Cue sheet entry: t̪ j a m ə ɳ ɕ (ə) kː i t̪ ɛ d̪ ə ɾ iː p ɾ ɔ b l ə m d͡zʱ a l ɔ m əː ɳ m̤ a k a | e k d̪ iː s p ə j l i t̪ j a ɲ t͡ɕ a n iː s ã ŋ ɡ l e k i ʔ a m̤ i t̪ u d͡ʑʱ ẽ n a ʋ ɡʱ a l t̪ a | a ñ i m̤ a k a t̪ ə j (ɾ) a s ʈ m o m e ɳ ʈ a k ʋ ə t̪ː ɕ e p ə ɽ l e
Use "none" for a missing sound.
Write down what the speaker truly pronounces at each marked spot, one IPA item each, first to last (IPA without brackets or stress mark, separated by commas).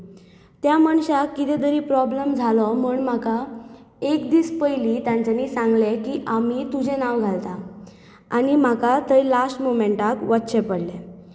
a, l